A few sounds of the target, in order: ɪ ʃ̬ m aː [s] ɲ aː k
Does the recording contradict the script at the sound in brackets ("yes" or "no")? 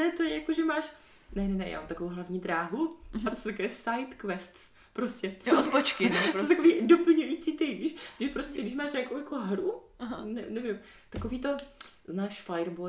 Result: yes